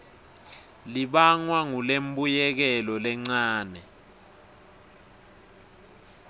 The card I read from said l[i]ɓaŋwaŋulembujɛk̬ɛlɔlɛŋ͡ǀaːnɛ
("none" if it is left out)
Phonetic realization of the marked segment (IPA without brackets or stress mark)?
i